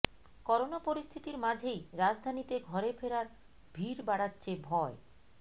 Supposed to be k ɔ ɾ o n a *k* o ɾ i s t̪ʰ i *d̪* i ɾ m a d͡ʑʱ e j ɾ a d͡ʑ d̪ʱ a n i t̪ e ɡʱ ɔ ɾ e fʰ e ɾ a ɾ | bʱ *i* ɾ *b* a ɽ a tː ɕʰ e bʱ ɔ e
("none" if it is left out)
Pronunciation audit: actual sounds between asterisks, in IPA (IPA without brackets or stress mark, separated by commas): p, t̪, i, b